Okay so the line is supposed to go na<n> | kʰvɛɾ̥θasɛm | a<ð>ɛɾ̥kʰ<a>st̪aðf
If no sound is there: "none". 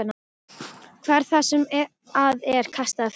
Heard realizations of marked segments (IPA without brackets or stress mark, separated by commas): none, ð, a